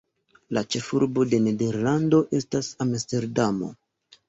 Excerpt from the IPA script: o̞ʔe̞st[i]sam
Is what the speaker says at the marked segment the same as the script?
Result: no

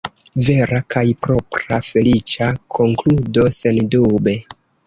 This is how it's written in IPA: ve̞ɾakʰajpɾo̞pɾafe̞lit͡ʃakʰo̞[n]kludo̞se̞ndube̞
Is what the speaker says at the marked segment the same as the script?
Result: no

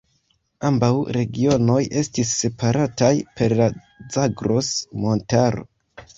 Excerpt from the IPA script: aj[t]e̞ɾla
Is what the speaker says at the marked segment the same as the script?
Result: no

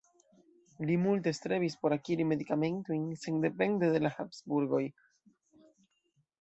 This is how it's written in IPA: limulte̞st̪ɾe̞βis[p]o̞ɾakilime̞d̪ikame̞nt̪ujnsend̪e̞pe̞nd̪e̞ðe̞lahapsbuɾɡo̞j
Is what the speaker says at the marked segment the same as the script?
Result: yes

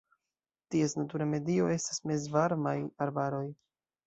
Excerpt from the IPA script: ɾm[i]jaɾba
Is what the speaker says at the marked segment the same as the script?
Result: no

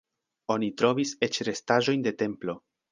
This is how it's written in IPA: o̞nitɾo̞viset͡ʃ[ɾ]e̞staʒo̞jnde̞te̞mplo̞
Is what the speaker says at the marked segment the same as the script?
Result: yes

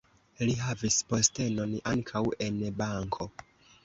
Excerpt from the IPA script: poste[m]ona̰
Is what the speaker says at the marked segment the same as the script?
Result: no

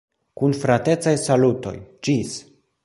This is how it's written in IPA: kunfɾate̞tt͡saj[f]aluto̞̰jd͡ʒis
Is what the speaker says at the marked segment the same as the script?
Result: no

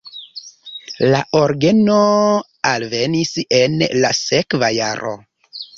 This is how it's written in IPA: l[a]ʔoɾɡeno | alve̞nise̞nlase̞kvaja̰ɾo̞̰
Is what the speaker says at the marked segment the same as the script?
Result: yes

